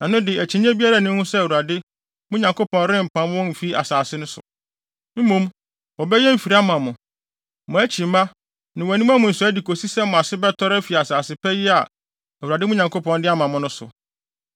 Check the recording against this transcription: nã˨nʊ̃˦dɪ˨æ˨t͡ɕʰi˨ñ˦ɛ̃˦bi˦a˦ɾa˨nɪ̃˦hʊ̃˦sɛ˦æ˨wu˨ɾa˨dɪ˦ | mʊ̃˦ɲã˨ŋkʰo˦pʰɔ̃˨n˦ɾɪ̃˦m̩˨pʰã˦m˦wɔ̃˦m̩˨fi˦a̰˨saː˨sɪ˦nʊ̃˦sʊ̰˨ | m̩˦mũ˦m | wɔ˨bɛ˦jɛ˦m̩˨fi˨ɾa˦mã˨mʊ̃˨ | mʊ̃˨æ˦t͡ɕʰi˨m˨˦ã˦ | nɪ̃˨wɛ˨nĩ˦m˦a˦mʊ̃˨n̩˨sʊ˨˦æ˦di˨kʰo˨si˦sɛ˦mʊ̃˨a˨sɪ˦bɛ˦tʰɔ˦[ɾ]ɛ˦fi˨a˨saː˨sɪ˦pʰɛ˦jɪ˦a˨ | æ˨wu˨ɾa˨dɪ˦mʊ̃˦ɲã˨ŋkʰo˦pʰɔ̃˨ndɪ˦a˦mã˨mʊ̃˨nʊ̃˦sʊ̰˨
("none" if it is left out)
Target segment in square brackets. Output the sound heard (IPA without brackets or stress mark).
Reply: ɾ